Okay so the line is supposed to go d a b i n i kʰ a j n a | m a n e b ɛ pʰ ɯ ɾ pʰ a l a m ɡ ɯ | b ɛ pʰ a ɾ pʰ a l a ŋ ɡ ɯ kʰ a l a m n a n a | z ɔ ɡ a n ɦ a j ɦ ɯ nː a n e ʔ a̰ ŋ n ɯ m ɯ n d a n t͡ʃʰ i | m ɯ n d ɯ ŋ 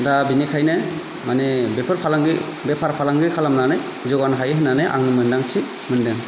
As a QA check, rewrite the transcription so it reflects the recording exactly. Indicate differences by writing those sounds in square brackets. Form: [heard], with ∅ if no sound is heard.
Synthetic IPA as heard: d a b i n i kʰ a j n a | m a n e b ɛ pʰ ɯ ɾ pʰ a l a [ŋ] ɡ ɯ | b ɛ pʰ a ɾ pʰ a l a ŋ ɡ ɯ kʰ a l a m n a n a | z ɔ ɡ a n ɦ a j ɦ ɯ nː a n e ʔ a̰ ŋ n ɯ m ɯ n d a [ŋ] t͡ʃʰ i | m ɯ n d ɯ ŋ